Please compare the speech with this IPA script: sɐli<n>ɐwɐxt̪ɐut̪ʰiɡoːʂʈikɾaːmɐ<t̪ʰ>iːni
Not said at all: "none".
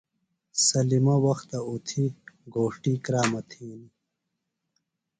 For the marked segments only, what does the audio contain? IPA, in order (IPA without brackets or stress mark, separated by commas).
m, t̪ʰ